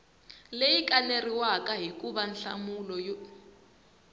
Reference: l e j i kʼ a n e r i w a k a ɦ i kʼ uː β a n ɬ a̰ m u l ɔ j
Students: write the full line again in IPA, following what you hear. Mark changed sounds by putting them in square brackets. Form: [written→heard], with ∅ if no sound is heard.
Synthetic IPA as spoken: l e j i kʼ a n e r i w a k a ɦ i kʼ [uː→u] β a n ɬ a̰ m u l ɔ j